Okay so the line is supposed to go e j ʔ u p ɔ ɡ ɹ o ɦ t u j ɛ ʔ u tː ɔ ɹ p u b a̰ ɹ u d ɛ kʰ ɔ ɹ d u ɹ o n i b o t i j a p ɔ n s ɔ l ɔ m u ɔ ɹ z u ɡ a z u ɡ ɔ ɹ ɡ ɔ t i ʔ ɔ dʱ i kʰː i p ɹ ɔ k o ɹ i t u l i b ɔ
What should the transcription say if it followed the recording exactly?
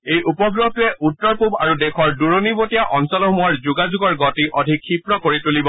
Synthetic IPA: e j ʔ u p ɔ ɡ ɹ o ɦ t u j ɛ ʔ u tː ɔ ɹ p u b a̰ ɹ u d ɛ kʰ ɔ ɹ d u ɹ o n i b o t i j a ʔ ɔ n s ɔ l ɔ m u ɔ ɹ z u ɡ a z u ɡ ɔ ɹ ɡ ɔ t i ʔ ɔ dʱ i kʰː i p ɹ ɔ k o ɹ i t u l i b ɔ